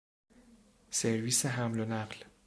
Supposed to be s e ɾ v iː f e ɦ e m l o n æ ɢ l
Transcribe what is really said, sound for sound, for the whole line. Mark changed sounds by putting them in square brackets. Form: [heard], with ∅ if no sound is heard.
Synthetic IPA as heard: s e ɾ v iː [s] e ɦ [æ] m l o n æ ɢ l